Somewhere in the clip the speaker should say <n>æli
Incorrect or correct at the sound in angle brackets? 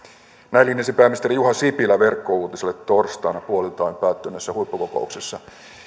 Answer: correct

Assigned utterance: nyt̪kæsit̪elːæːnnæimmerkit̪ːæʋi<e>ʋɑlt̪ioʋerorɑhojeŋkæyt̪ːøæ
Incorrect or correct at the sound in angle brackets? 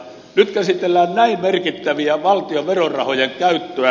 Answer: incorrect: æ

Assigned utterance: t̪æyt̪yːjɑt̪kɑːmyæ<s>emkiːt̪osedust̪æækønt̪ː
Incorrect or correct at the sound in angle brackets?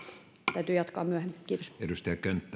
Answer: incorrect: h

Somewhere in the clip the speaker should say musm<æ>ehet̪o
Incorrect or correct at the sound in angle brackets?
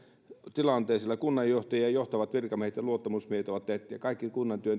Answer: incorrect: i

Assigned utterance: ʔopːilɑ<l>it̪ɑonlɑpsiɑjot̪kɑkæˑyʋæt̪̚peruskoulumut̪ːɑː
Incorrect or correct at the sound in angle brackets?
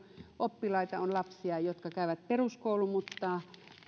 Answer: incorrect: none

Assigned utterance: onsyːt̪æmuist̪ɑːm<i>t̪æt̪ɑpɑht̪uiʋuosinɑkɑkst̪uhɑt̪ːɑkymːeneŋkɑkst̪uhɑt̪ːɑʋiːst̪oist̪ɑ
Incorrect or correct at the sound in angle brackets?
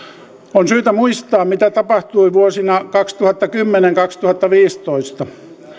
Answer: correct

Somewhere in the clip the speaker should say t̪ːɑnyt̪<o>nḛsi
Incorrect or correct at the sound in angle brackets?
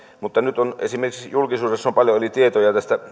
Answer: correct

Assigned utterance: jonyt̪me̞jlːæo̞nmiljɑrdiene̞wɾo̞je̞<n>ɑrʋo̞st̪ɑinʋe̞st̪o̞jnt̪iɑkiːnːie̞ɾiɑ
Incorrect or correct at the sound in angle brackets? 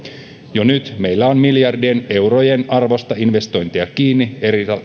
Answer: correct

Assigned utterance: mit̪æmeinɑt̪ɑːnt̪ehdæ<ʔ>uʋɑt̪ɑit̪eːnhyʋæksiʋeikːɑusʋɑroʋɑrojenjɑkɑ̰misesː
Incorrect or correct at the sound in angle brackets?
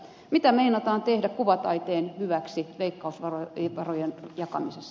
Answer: incorrect: k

